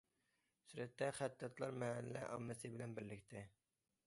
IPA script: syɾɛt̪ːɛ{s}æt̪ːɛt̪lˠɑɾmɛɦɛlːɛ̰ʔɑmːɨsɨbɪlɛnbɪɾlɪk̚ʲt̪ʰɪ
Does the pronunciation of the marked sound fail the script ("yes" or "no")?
yes